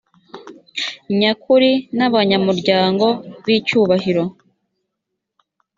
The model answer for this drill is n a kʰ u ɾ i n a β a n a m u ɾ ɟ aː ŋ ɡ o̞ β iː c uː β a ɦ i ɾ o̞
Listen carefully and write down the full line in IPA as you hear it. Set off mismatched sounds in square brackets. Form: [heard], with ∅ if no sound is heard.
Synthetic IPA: [ɲ] a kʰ u ɾ i n a β a [ɲ] a m u ɾ ɟ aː ŋ ɡ o̞ β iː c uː β a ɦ i ɾ o̞